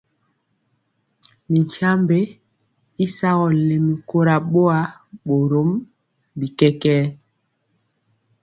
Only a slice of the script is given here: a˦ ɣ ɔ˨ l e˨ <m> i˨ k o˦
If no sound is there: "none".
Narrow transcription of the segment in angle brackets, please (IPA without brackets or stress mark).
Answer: m